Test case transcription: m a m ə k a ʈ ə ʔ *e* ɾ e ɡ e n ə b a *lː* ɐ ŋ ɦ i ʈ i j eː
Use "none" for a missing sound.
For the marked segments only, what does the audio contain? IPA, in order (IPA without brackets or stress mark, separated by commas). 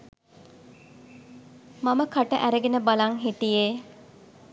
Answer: æ, l